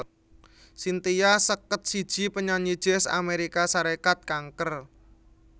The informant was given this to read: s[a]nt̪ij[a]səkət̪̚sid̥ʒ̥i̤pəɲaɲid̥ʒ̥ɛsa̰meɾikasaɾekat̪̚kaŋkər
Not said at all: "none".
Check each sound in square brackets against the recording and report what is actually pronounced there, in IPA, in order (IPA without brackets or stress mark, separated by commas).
i, a